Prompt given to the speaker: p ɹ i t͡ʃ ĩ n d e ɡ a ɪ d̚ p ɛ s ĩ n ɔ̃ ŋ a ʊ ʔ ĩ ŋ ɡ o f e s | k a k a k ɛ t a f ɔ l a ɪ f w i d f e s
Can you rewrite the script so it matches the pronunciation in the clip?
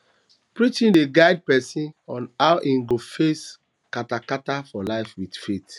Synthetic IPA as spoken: p ɹ i t͡ʃ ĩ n d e ɡ a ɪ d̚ p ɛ s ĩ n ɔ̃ n a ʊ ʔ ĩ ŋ ɡ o f e s | k a t a k a t a f ɔ l a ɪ f w i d f e t